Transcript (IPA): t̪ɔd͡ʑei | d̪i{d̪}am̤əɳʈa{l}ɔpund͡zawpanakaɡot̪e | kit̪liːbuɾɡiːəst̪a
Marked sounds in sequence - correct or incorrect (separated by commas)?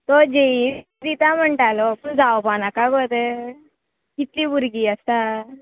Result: incorrect, correct